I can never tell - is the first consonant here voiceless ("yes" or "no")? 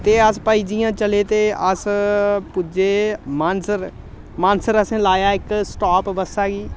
yes